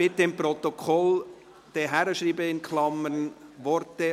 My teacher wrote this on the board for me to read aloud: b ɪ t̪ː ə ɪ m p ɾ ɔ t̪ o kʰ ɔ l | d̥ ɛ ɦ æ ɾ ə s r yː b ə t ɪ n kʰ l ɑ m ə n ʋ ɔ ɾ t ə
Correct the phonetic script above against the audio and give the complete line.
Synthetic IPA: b ɪ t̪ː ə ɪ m p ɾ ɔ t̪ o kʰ ɔ l | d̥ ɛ ɦ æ ɾ ə ʃ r iː b ə ɪ n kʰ l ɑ m ə n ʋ ɔ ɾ t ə